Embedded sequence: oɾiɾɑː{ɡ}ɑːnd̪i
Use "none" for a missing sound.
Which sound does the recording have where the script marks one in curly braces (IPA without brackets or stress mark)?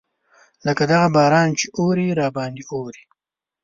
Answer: b